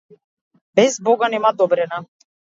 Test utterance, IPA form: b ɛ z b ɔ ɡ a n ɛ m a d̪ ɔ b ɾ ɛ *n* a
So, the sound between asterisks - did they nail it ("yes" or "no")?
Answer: yes